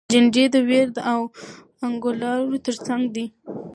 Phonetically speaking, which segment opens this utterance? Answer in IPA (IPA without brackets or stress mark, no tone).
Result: d͡ʒ